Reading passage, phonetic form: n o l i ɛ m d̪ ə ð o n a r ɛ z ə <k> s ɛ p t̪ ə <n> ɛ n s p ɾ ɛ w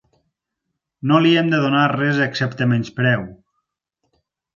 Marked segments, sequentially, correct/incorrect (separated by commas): correct, incorrect